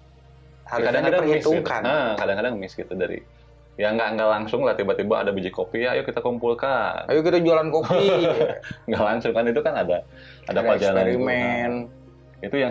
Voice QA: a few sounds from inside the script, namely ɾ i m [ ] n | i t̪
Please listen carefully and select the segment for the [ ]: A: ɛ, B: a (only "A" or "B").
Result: A